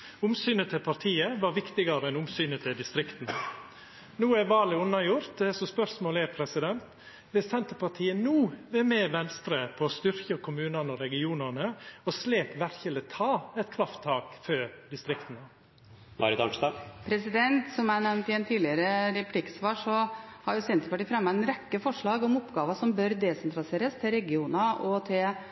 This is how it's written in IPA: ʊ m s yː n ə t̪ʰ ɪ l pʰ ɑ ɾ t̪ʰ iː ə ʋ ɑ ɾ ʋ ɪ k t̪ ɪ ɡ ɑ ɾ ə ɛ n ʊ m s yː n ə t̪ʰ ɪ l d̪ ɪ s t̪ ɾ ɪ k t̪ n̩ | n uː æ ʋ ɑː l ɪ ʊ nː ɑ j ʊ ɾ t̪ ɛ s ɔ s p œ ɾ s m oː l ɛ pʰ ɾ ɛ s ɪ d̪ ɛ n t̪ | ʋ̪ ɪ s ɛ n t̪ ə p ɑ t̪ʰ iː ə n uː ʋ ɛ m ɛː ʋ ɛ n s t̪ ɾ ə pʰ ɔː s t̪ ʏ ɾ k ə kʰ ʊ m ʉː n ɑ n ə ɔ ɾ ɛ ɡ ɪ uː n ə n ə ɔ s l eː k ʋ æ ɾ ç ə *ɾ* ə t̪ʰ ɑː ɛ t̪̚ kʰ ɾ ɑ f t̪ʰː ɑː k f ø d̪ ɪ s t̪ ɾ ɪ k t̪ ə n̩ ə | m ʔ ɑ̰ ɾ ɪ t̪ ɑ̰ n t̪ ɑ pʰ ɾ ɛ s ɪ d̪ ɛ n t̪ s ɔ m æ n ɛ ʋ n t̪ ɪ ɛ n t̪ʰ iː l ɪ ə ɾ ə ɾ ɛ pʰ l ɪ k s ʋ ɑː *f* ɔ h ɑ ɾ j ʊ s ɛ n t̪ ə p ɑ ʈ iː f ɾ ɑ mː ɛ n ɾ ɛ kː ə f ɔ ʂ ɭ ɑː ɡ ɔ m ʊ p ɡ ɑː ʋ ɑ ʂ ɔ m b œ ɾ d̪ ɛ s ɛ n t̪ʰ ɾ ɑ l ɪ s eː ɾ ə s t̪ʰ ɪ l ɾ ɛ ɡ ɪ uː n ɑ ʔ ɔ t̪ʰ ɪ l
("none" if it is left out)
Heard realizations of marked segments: l, ʂ

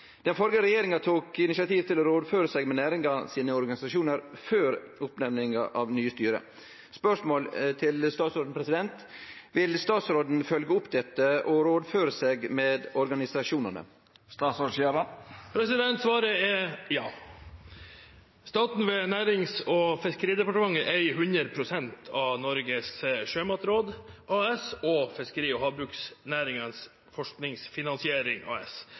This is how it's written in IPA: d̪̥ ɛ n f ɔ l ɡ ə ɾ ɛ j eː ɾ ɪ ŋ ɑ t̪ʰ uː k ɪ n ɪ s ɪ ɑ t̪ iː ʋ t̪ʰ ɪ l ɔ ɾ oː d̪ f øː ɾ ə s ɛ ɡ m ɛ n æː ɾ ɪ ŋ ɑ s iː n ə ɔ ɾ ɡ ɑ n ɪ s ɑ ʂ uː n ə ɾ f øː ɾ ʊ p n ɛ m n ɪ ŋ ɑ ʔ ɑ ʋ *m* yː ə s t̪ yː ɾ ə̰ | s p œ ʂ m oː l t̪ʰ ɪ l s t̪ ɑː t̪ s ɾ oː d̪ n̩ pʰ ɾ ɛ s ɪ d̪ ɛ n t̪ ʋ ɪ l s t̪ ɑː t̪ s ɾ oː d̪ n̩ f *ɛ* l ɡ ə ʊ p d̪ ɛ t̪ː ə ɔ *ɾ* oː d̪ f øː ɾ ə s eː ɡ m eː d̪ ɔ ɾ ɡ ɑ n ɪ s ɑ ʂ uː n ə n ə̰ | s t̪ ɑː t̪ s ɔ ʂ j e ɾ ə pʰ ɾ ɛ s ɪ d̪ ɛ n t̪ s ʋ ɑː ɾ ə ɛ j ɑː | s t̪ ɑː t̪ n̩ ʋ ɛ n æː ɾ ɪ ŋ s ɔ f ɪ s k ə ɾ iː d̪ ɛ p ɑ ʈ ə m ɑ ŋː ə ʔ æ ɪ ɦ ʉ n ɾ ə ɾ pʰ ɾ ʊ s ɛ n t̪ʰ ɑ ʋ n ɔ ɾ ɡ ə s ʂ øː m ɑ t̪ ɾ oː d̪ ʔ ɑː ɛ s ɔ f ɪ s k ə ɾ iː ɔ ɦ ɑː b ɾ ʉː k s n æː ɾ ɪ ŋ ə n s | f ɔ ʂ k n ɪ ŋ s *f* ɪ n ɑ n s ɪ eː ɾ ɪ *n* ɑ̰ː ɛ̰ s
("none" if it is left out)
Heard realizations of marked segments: n, œ, ɾ, f, ŋ

